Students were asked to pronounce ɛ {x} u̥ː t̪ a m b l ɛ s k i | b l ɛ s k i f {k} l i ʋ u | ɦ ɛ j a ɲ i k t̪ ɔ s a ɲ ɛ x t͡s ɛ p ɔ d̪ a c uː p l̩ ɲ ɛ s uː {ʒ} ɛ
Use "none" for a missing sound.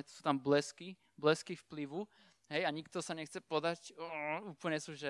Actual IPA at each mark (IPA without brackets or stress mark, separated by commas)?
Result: s, p, ʒ